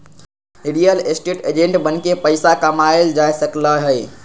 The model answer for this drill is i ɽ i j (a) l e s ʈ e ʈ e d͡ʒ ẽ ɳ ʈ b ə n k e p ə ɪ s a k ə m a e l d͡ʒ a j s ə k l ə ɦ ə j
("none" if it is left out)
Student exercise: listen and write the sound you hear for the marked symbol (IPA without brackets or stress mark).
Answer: ə